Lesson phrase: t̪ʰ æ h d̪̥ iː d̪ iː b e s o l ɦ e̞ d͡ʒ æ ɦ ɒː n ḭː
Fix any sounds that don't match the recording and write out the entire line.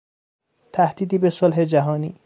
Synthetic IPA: t̪ʰ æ h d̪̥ iː d̪ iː b e s o l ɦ e̞ d͡ʒ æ ɦ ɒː n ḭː